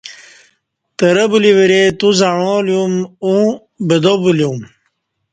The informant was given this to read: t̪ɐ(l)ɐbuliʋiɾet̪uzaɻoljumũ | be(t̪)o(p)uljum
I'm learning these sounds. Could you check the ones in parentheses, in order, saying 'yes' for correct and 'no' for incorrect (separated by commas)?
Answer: no, no, no